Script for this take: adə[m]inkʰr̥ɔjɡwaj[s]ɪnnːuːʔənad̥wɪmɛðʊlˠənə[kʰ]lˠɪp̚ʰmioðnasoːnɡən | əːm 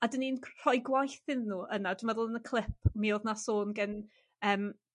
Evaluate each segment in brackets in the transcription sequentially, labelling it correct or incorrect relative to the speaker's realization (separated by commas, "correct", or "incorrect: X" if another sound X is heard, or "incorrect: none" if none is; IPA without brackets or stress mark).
incorrect: n, incorrect: θ, correct